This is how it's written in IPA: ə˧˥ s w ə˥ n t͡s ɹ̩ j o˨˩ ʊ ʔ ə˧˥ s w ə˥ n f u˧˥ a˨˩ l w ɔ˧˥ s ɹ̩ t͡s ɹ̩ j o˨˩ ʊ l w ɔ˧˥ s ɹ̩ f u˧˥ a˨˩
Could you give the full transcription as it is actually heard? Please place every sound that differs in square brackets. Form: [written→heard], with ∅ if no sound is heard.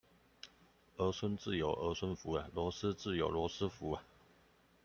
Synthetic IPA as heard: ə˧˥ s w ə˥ n t͡s ɹ̩ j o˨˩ ʊ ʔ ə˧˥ s w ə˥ n f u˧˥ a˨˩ l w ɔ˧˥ s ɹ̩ t͡s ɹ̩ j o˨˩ ʊ l w ɔ˧˥ s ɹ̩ f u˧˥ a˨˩